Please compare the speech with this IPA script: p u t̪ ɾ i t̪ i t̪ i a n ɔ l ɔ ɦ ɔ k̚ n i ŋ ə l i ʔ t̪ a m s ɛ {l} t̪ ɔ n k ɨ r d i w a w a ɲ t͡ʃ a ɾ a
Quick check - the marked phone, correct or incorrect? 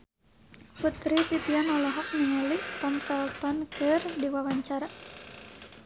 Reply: correct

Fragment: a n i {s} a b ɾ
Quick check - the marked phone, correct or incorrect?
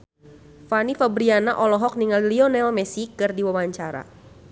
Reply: incorrect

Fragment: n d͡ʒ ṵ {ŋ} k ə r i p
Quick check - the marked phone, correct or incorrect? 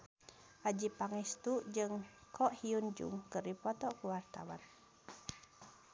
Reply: correct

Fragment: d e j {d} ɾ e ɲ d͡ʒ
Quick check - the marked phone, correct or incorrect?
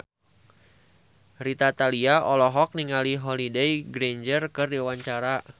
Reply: incorrect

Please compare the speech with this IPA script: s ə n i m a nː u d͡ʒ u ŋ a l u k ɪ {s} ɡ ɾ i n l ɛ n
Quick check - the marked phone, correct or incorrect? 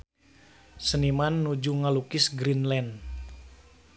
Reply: correct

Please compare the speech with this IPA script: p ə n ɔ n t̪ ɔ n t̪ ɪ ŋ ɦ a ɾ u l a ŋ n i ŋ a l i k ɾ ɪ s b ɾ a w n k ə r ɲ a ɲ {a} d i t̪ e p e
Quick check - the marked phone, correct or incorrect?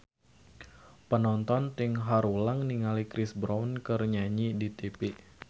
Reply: incorrect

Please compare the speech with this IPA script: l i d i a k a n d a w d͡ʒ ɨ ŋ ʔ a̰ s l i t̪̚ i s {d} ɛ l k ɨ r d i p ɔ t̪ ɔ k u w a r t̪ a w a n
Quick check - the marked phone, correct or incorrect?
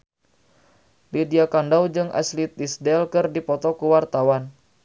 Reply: correct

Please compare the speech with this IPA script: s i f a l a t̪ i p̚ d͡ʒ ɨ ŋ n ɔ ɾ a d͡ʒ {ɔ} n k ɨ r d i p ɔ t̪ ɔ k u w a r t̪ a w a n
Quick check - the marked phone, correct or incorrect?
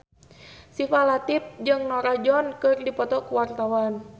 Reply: correct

